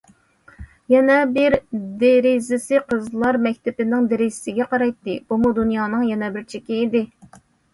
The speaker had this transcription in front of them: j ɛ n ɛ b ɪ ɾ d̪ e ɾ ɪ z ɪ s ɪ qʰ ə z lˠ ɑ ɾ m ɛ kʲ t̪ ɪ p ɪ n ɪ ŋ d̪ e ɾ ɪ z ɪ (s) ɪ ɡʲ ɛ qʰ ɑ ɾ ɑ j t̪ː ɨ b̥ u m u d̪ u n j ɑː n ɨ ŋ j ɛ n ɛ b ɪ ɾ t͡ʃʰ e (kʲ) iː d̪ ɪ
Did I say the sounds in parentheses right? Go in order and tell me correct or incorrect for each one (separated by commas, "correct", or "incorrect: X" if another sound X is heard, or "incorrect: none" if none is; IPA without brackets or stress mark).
correct, correct